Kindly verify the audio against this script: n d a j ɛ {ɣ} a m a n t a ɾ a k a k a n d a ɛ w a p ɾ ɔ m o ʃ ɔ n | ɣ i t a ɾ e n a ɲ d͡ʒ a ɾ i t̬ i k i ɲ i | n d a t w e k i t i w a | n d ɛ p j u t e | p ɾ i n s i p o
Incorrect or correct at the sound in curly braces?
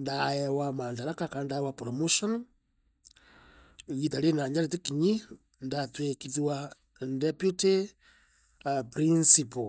incorrect: w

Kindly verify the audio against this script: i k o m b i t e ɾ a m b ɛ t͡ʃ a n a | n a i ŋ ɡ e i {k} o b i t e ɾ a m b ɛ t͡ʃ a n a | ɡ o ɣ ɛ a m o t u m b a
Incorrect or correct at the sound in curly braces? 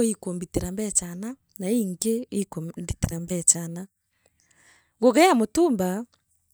correct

